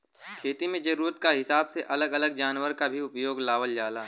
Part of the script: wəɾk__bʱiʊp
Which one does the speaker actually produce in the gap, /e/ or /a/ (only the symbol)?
a